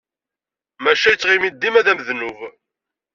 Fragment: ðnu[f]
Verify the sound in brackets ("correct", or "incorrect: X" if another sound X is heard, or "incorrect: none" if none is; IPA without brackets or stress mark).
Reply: incorrect: v